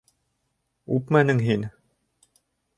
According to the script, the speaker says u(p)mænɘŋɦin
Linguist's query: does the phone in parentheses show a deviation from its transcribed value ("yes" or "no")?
no